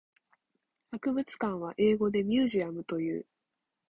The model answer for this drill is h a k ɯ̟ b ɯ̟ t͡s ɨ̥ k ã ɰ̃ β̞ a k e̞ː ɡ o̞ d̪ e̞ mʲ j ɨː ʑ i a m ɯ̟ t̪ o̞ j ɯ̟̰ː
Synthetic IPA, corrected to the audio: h a k ɯ̟ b ɯ̟ t͡s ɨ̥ k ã ɰ̃ β̞ a ʔ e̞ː ɡ o̞ d̪ e̞ mʲ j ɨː ʑ i a m ɯ̟ t̪ o̞ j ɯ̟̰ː